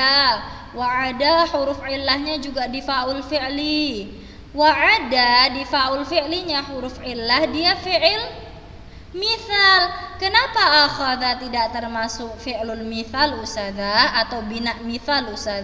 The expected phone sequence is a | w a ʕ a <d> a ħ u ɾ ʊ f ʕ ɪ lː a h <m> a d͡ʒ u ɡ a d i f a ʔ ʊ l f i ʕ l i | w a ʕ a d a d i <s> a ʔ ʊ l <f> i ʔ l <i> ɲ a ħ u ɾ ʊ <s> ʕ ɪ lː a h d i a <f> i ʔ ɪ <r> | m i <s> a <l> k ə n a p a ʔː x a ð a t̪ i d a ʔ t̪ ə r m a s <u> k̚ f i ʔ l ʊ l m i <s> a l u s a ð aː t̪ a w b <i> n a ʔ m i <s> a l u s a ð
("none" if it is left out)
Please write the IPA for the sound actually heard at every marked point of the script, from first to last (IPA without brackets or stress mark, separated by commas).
d, ɲ, f, f, i, f, f, l, θ, l, ʊ, θ, i, θ